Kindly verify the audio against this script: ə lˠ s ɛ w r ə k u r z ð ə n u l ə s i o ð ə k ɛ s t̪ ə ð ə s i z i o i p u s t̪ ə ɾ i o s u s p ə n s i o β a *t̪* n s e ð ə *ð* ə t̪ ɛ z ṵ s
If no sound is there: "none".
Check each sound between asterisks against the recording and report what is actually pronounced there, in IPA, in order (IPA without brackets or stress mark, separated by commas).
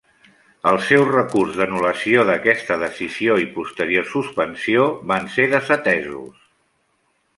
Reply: none, z